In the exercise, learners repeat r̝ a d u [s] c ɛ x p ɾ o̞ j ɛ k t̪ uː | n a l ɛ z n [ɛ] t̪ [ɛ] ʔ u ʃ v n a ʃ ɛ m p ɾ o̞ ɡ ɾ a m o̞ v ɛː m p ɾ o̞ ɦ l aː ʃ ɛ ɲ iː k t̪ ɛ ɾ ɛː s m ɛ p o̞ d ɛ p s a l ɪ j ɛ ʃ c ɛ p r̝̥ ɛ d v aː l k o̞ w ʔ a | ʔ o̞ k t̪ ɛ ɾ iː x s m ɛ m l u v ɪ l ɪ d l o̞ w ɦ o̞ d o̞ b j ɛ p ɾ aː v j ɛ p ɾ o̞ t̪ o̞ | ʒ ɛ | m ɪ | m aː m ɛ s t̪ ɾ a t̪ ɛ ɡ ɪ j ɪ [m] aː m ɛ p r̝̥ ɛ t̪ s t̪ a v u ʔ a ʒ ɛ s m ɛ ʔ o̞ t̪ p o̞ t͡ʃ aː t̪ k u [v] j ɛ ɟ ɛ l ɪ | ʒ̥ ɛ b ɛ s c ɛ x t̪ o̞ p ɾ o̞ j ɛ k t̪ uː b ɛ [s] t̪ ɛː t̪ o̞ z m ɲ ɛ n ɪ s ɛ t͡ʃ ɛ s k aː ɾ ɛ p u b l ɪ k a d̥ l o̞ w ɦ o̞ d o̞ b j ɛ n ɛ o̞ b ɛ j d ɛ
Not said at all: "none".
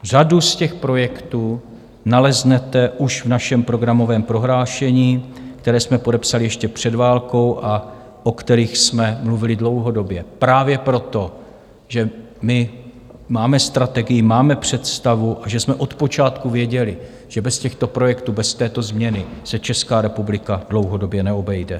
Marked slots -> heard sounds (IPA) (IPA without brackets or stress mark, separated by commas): s, ɛ, ɛ, m, v, s